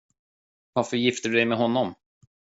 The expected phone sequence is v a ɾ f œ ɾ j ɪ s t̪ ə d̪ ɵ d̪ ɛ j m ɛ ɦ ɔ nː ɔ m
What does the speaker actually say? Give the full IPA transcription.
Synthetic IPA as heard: v a ɾ f œ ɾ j ɪ f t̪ ə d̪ ɵ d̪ ɛ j m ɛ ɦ ɔ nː ɔ m